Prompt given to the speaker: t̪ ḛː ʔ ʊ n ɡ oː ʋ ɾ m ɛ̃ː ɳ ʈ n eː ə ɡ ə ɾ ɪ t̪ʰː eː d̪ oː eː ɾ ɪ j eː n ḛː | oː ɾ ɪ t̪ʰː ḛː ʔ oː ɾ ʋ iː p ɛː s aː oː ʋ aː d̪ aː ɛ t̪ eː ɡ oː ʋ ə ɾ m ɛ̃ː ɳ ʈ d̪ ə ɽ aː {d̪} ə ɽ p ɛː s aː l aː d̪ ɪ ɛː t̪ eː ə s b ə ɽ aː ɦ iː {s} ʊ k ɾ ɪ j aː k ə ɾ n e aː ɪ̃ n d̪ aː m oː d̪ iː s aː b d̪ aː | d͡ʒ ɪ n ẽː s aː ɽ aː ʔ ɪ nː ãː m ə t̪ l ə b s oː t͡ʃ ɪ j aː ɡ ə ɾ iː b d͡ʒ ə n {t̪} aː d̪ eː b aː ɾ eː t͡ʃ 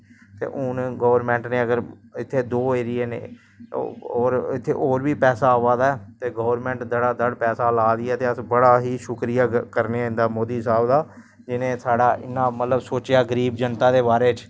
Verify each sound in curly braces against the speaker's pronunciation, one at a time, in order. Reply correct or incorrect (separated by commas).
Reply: correct, incorrect, correct